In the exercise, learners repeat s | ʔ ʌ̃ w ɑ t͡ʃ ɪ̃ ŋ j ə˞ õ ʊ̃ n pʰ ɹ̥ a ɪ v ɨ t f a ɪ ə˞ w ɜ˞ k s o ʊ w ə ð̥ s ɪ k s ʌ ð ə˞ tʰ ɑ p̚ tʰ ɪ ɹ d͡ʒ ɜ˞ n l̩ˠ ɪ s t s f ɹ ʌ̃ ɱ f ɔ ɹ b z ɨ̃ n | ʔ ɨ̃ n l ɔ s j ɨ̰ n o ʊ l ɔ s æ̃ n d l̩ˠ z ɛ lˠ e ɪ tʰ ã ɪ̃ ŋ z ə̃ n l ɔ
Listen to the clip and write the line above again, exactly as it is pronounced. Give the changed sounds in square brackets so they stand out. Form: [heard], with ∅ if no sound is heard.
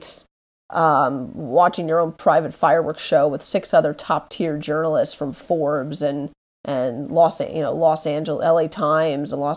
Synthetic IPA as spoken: s | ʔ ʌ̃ w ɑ t͡ʃ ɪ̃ ŋ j ə˞ õ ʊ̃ n pʰ ɹ̥ a ɪ v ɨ t f a ɪ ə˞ w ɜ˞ k [ʃ] o ʊ w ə ð̥ s ɪ k s ʌ ð ə˞ tʰ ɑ p̚ tʰ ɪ ɹ d͡ʒ ɜ˞ n l̩ˠ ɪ s t s f ɹ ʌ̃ ɱ f ɔ ɹ b z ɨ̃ n | ʔ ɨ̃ n l ɔ s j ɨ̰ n o ʊ l ɔ s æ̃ n [d͡ʒ] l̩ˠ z ɛ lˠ e ɪ tʰ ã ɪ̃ [m] z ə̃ n l ɔ